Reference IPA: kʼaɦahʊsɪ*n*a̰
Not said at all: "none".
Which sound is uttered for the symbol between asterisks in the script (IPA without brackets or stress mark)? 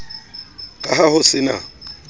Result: n